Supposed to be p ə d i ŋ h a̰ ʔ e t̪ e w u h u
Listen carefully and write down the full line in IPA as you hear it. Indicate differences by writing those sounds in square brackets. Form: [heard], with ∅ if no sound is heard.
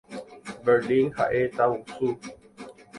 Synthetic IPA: [b] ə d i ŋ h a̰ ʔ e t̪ [a] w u [s] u